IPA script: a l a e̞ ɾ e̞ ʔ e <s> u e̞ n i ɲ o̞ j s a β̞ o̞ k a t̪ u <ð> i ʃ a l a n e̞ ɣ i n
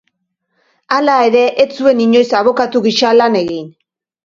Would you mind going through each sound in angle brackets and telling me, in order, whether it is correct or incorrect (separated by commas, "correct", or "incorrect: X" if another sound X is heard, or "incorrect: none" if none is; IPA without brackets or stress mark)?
incorrect: t͡s, incorrect: ɣ